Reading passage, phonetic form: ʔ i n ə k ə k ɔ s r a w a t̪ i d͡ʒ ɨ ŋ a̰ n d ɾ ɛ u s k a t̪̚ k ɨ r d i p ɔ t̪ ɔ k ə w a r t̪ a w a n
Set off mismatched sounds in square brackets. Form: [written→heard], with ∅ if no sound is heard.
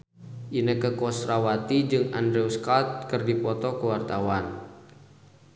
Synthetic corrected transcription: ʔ i n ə k ə k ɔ s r a w a t̪ i d͡ʒ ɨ ŋ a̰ n d ɾ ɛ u s k a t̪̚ k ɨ r d i p ɔ t̪ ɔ k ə w a r t̪ a w a n